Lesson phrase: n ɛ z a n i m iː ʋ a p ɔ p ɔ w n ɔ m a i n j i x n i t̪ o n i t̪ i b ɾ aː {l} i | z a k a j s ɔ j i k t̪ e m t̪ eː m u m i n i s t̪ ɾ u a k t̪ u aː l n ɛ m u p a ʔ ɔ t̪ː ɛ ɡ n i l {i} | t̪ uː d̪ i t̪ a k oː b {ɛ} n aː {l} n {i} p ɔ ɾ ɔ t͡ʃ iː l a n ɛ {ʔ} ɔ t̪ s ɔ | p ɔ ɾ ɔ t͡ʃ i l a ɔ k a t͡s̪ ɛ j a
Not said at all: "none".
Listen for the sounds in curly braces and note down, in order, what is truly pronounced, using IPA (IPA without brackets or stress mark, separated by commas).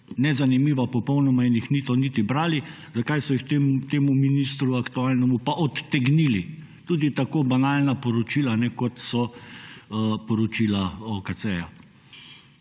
l, i, a, l, a, k